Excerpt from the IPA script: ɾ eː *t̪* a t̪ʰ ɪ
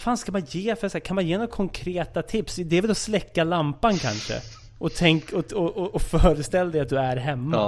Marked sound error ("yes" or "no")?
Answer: no